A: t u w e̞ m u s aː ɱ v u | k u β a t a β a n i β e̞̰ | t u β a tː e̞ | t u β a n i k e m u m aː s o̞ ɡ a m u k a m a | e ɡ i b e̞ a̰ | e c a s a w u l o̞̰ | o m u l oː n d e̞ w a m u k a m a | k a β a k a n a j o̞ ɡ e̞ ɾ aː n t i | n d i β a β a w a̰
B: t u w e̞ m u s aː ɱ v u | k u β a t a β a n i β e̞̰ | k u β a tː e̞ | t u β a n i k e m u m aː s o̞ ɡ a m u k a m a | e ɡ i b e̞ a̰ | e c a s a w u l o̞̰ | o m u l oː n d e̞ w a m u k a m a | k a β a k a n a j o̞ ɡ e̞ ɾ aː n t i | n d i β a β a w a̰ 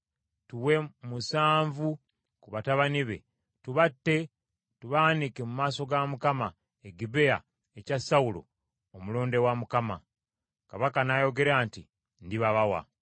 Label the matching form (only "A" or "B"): A